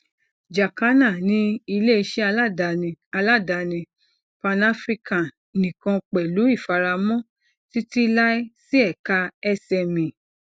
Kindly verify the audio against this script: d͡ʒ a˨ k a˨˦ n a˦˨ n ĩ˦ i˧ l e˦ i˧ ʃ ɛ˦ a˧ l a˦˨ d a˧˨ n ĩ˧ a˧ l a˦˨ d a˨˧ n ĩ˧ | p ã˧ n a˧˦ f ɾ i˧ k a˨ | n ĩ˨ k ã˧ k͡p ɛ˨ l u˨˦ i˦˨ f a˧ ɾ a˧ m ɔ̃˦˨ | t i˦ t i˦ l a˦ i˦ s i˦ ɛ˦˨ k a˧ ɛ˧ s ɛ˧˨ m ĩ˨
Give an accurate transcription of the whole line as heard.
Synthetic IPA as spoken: d͡ʒ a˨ k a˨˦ n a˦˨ n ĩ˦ i˧ l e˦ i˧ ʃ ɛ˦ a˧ l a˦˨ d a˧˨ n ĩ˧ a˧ l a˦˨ d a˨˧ n ĩ˧ | p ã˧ n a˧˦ f ɾ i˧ k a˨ | n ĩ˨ k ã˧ k͡p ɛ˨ l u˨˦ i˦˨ f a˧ ɾ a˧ m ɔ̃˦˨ | t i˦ t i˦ l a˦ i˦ s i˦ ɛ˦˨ k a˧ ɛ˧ s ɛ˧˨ m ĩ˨